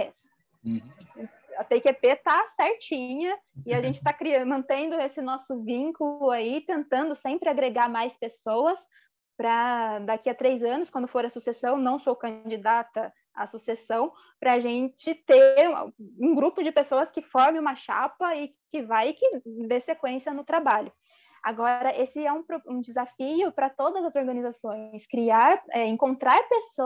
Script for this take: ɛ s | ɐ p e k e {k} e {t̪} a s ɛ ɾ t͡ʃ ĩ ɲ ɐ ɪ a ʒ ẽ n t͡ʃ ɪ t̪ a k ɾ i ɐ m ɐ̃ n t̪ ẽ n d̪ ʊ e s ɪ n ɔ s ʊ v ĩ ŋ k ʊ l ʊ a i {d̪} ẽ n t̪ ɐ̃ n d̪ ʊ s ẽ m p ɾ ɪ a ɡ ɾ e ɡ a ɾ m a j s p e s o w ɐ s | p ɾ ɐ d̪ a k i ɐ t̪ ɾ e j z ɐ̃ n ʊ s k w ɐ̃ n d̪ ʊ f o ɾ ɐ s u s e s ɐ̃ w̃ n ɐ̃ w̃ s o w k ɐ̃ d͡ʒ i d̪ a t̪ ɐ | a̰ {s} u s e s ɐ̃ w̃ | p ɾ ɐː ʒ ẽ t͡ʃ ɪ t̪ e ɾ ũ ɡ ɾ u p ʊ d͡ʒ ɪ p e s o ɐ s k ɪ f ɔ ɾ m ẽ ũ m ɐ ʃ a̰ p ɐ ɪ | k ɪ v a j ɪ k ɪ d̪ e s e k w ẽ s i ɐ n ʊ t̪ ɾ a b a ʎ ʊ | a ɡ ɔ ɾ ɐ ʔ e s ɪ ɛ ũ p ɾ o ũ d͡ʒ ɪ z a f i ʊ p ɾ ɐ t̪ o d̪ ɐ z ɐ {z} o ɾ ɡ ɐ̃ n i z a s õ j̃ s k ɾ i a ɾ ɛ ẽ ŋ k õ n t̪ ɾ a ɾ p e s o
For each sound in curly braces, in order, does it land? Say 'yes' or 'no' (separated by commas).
no, yes, no, yes, yes